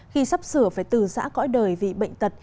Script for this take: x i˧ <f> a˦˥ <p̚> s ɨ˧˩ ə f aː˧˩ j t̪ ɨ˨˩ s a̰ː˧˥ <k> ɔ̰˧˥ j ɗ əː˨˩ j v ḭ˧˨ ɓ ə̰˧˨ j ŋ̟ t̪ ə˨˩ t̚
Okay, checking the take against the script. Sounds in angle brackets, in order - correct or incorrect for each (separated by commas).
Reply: incorrect, correct, correct